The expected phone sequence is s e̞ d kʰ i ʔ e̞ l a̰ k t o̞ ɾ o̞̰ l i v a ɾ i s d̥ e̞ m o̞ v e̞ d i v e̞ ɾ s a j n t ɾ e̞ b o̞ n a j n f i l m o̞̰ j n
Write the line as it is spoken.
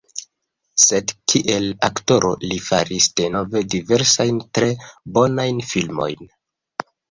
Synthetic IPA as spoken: s e̞ d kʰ i ʔ e̞ l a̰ k t o̞ ɾ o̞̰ l i f a ɾ i s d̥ e̞ n o̞ v e̞ d i v e̞ ɾ s a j n t ɾ e̞ b o̞ n a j n f i l m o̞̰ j n